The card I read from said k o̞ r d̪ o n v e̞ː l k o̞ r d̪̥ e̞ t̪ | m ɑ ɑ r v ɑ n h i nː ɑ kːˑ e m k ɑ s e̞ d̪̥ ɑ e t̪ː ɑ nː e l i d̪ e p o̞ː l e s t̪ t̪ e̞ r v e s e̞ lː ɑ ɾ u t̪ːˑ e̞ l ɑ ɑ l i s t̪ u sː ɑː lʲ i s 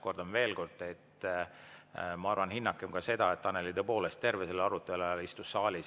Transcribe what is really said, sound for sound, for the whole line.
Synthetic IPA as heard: k o̞ r d̪ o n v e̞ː l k o̞ r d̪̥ e̞ t̪ | m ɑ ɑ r v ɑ n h i nː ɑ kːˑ e m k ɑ s e̞ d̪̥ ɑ e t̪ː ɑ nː e l i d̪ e p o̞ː l e s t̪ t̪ e̞ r v e s e̞ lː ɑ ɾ u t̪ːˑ e̞ l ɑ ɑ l i s t̪ u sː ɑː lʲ i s